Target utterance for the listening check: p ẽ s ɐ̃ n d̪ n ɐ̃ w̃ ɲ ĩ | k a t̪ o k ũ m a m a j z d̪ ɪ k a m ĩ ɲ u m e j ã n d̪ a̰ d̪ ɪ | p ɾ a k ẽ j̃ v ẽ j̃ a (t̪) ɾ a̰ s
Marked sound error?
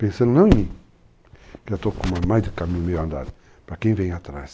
no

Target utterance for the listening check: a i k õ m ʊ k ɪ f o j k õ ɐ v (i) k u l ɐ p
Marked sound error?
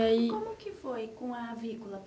no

